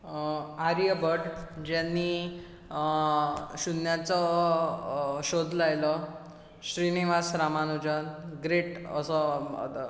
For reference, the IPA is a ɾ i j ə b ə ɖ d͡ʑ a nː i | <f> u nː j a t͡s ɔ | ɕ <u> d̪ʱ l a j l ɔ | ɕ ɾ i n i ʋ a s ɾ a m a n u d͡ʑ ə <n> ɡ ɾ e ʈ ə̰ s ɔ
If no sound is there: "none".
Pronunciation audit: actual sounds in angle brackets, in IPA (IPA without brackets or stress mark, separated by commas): ɕ, o, n